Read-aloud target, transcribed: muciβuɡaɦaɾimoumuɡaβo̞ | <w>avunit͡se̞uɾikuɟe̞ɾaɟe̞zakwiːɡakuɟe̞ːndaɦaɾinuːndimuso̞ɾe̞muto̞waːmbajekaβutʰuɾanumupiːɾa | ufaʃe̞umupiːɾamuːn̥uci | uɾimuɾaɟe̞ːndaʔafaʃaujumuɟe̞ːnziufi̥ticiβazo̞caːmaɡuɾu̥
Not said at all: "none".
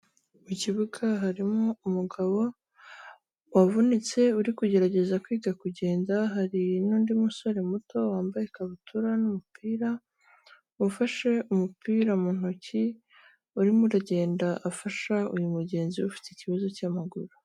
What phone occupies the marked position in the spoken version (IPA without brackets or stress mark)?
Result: w